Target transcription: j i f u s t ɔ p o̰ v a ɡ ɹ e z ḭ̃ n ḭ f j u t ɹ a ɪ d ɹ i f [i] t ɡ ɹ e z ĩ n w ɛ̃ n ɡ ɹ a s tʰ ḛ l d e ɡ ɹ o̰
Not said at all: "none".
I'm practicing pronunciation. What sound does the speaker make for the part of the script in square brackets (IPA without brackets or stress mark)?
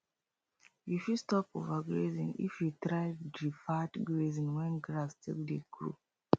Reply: a